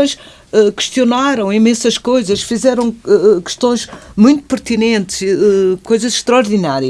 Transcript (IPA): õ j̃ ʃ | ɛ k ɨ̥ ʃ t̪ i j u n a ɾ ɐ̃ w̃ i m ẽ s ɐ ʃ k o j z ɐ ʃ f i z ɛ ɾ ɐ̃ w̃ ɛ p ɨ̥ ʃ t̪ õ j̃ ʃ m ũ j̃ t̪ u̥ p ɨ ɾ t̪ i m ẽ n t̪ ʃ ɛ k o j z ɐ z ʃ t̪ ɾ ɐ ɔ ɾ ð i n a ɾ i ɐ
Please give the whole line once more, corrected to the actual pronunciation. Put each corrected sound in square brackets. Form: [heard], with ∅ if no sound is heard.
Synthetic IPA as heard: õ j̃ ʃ | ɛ k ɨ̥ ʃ t̪ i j u n a ɾ ɐ̃ w̃ i m ẽ s ɐ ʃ k o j z ɐ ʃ f i z ɛ ɾ ɐ̃ w̃ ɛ [k] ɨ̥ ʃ t̪ õ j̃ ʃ m ũ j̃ t̪ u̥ p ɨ ɾ t̪ i [n] ẽ n t̪ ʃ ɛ k o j z ɐ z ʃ t̪ ɾ ɐ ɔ ɾ ð i n a ɾ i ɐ